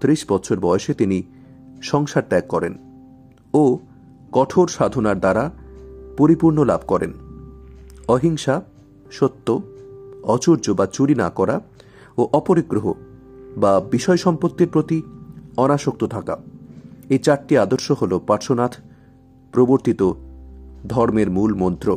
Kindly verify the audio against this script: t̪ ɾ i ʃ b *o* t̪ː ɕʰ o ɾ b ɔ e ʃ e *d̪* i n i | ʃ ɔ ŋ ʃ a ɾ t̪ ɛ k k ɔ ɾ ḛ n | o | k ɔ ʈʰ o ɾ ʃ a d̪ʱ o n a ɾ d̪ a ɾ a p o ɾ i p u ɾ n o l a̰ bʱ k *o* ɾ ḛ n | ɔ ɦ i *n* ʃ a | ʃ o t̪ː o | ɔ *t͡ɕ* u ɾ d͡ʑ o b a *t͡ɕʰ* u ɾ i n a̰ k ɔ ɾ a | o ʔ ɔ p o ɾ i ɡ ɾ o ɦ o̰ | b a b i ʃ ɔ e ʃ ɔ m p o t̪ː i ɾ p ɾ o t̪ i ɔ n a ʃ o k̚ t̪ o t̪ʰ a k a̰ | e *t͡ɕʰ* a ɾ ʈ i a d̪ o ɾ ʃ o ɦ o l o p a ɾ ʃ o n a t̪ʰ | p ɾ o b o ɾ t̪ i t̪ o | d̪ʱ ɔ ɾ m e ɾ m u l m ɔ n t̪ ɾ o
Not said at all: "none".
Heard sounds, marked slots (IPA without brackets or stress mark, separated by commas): ɔ, t̪, ɔ, ŋ, t͡ɕ, t͡ɕ, t͡ɕ